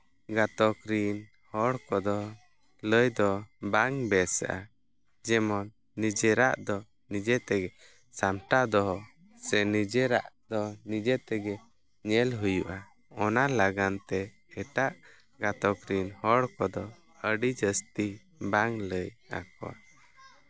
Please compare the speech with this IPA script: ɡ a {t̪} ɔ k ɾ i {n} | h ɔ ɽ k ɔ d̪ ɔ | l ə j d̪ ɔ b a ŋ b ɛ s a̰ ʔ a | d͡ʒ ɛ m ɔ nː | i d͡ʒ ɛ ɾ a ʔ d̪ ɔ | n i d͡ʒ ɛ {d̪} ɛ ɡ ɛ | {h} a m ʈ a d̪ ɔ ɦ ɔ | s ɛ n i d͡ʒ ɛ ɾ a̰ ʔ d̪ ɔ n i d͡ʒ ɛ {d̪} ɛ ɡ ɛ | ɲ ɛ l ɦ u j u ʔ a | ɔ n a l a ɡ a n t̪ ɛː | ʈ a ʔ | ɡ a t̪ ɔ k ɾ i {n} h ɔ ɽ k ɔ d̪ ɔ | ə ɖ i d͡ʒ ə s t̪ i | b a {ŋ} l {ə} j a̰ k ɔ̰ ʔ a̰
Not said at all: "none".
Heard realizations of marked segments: t̪, n, t̪, s, t̪, n, ŋ, ə

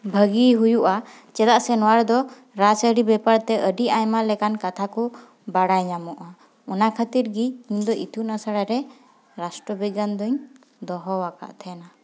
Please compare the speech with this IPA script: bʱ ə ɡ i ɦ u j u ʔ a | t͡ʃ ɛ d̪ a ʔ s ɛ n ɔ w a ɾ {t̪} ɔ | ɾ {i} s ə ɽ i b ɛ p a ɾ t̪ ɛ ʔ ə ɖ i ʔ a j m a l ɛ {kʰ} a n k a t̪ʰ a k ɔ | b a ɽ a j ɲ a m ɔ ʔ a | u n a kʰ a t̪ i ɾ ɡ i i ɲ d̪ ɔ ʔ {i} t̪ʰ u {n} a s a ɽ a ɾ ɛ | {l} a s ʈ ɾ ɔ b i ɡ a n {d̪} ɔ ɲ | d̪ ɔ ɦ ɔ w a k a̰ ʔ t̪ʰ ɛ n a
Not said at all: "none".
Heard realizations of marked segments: d̪, a, k, i, n, ɾ, d̪

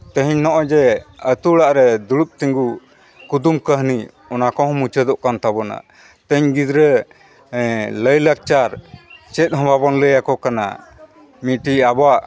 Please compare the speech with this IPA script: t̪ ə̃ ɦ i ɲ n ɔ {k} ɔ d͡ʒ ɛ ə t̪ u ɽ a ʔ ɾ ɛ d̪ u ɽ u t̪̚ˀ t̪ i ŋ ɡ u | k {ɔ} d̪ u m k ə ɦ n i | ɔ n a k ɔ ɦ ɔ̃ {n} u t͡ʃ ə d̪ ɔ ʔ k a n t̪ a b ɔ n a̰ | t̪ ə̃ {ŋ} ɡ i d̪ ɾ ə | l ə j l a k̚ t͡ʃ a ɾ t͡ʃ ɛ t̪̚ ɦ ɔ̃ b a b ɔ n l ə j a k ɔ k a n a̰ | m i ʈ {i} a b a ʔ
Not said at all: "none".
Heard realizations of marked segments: ʔ, u, m, ɲ, i

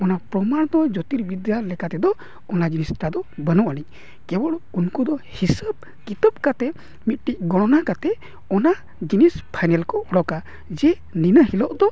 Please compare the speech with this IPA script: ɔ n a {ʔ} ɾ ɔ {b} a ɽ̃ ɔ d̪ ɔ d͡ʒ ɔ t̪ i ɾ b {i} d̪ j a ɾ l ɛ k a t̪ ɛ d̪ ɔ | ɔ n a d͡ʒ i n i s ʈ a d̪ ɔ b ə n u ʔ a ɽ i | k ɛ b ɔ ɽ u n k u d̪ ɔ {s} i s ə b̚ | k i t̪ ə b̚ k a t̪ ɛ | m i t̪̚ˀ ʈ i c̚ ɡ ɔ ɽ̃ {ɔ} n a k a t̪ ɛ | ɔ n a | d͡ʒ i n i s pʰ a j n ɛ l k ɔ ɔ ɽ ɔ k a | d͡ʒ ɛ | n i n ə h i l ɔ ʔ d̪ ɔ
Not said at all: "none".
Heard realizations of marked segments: p, m, i, h, ɔ

